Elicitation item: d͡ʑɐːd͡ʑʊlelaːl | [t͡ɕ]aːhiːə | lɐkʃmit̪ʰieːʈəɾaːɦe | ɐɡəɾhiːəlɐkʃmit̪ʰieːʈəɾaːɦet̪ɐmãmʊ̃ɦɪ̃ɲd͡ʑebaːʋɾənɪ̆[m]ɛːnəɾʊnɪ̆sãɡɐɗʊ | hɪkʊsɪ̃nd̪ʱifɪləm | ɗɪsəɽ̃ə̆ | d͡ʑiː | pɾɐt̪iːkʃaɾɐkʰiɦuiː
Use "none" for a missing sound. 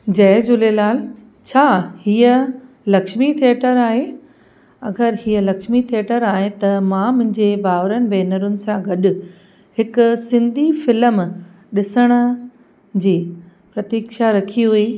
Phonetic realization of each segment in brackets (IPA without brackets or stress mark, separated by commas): t͡ɕʰ, b